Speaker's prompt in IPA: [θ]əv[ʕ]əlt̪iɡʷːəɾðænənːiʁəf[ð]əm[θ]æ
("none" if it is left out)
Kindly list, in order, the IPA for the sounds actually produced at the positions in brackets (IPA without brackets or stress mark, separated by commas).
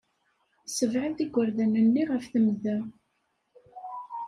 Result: s, ʕ, θ, ð